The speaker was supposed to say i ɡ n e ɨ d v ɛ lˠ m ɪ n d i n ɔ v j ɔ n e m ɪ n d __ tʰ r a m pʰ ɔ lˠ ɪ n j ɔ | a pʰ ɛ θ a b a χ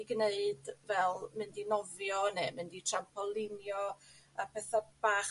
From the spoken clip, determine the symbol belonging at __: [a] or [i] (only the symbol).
i